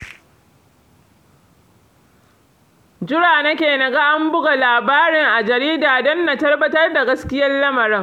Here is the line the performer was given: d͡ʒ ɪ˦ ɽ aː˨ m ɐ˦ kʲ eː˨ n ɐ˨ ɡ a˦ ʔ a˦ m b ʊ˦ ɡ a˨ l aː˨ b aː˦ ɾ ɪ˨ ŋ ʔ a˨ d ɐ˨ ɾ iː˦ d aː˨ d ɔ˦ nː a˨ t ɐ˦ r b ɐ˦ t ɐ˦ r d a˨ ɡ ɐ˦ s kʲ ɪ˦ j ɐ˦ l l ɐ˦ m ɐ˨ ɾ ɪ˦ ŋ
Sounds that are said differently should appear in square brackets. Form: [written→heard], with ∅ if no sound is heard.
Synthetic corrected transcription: d͡ʒ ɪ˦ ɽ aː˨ [m→n] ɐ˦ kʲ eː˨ n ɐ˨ ɡ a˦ ʔ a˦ m b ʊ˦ ɡ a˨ l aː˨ b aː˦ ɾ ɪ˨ ŋ ʔ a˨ [d→d͡ʒ] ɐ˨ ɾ iː˦ d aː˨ d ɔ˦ nː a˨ t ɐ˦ r b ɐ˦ t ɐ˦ r d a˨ ɡ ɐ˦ s kʲ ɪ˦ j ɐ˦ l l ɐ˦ m ɐ˨ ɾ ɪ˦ ŋ